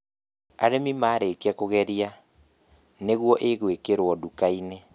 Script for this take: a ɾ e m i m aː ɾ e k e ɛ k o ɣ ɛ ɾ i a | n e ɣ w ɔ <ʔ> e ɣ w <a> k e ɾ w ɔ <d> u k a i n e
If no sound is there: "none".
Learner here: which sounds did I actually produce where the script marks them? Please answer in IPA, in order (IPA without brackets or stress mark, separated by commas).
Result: ʔ, e, d